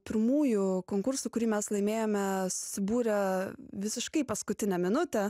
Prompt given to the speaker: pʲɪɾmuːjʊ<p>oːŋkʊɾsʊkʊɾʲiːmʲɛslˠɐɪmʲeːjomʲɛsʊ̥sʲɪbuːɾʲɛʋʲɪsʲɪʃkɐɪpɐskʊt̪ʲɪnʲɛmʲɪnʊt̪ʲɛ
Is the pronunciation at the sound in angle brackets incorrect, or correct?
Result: incorrect: k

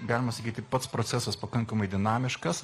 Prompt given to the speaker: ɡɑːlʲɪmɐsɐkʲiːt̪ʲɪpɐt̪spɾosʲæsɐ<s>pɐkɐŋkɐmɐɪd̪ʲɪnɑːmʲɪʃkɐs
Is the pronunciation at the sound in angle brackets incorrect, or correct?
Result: correct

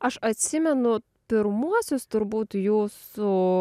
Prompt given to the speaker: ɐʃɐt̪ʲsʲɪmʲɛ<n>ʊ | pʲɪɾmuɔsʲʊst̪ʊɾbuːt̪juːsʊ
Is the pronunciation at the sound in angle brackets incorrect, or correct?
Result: correct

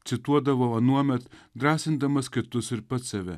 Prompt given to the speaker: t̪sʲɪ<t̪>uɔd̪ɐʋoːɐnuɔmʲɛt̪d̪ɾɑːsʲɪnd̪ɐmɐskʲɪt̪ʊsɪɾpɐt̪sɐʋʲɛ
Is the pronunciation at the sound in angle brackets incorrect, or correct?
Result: correct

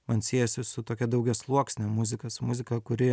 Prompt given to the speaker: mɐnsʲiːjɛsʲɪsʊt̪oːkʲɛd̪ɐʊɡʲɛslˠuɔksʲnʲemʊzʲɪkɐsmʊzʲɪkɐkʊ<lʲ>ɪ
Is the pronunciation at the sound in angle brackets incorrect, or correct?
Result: incorrect: ɾʲ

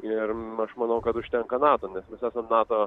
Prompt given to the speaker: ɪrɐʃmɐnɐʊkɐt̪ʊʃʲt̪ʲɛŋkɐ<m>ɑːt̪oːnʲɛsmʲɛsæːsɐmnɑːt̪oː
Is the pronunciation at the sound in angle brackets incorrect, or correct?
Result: incorrect: n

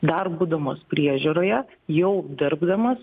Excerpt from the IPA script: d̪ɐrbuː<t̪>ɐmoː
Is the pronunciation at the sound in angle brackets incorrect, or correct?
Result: incorrect: d̪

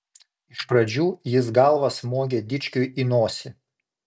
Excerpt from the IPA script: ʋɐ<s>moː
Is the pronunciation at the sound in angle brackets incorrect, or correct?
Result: correct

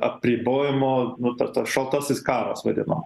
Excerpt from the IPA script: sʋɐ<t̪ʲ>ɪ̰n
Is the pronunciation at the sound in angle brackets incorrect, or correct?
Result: incorrect: d̪ʲ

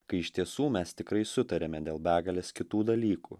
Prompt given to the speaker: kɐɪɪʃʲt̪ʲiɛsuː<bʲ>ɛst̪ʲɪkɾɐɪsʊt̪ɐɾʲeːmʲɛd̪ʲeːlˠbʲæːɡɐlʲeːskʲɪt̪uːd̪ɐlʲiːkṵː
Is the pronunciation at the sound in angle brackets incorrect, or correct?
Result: incorrect: mʲ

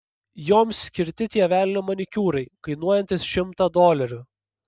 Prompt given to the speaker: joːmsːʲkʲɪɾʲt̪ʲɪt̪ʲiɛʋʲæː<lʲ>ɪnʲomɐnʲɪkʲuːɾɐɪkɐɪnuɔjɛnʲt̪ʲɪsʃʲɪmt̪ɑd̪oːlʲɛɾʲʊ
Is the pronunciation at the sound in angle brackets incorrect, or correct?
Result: correct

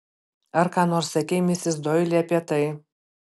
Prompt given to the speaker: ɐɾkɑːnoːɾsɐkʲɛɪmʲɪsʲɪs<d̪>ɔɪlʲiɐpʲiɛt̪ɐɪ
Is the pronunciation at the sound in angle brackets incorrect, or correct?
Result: correct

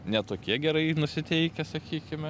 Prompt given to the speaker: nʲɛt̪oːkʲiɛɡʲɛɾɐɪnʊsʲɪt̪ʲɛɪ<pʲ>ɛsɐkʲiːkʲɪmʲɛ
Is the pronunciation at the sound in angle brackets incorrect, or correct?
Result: incorrect: kʲ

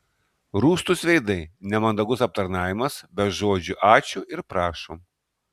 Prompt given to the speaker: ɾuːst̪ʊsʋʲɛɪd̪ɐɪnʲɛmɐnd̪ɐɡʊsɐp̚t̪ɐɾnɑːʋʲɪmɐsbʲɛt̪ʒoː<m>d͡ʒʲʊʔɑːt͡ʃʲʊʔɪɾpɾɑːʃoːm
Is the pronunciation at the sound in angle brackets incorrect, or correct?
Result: incorrect: none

